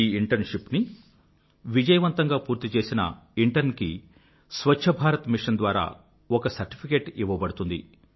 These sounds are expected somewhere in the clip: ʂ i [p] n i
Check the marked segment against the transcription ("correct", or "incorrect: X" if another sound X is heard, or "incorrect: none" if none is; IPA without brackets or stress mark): correct